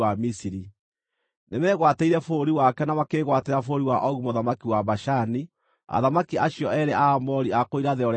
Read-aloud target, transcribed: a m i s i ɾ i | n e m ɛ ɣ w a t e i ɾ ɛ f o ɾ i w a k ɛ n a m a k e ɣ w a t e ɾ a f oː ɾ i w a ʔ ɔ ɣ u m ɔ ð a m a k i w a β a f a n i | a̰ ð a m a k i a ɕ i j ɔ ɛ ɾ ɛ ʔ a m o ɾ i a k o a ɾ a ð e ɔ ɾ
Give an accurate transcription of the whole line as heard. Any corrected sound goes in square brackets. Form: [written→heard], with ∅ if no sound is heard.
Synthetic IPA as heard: a m i s i ɾ i | n e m ɛ ɣ w a t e i ɾ ɛ f o ɾ i w a k ɛ n a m a k e ɣ w a t e ɾ a f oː ɾ i w a ʔ ɔ ɣ u m [ɔ→o] ð a m a k i w a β a [f→ʃ] a n i | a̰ ð a m a k i a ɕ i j ɔ ɛ ɾ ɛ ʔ a m [o→ɔ] ɾ i a k o [a→i] ɾ a ð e ɔ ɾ